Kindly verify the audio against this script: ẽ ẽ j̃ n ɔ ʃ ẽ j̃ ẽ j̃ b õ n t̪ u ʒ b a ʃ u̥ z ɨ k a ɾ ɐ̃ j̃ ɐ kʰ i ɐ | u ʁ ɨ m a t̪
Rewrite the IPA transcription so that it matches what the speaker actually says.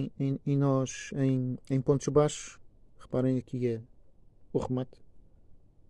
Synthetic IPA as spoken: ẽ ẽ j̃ n ɔ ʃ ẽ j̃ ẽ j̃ p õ n t̪ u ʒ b a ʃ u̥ ʁ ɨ p a ɾ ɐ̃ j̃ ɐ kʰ i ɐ | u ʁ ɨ m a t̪